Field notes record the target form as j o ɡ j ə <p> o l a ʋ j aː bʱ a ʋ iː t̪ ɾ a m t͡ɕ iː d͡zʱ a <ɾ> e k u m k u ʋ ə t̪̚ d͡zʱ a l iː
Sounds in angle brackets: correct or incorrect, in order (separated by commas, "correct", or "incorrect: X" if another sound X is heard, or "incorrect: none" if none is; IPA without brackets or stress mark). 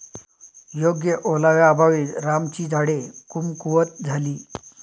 incorrect: ʔ, incorrect: ɽ